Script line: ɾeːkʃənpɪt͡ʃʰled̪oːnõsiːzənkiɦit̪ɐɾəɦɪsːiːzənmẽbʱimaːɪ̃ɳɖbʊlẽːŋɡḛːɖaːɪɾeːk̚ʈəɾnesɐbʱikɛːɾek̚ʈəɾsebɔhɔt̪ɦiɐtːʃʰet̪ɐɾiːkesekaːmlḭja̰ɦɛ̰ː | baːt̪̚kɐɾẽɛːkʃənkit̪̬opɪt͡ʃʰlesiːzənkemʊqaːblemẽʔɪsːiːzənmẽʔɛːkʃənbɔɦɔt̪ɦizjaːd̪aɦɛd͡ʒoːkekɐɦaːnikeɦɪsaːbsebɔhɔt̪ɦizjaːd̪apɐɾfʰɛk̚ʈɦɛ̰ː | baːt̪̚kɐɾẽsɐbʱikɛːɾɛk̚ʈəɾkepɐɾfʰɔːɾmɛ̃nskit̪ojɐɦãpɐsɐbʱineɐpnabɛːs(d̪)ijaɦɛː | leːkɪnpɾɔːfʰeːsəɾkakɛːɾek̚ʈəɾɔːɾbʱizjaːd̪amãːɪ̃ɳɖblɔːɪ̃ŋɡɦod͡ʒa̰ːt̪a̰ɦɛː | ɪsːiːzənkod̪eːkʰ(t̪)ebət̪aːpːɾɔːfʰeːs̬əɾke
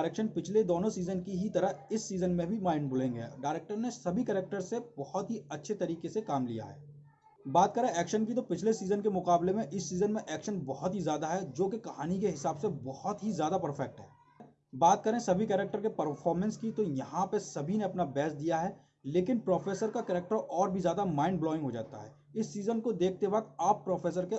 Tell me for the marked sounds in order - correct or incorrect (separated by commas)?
correct, correct